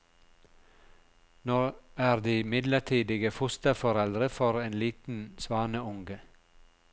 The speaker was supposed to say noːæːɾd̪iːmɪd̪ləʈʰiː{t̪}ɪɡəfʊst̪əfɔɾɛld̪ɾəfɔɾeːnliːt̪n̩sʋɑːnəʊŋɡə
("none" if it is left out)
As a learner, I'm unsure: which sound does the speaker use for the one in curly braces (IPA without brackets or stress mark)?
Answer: d̪